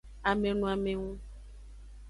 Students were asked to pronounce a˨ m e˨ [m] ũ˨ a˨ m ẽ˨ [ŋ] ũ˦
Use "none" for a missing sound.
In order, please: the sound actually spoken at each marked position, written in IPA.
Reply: n, ŋ

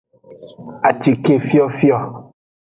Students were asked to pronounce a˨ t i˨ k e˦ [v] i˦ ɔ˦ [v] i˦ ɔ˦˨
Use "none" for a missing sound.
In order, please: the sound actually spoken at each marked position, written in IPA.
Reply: f, f

